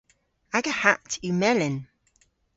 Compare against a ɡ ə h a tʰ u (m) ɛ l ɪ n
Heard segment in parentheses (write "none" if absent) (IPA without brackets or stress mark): m